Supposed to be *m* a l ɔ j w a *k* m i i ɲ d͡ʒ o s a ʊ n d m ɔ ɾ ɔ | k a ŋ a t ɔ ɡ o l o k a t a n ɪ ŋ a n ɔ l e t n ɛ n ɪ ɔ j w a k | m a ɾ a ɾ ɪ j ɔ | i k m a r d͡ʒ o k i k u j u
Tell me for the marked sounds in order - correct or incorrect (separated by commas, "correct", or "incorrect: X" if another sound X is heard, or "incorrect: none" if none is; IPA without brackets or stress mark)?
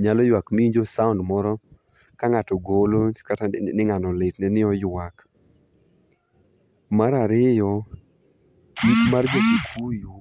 incorrect: ɲ, correct